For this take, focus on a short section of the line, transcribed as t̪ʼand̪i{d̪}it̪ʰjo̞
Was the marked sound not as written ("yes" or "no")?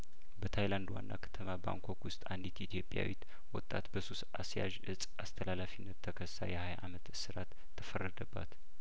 yes